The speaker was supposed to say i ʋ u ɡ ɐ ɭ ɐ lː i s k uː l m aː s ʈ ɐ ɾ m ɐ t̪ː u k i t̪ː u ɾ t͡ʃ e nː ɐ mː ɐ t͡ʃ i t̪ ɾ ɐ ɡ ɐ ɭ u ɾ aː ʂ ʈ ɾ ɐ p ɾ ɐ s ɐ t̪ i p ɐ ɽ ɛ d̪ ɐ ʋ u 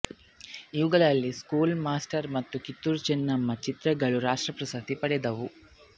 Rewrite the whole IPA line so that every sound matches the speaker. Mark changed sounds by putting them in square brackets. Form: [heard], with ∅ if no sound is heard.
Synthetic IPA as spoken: i ʋ u ɡ ɐ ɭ ɐ lː i s k uː l m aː s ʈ ɐ ɾ m ɐ t̪ː u k i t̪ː u ɾ t͡ʃ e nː ɐ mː ɐ t͡ʃ i t̪ ɾ ɐ ɡ ɐ ɭ u ɾ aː ʂ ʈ ɾ ɐ p ɾ ɐ s ɐ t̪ i p ɐ ɽ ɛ d̪ ɐ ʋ u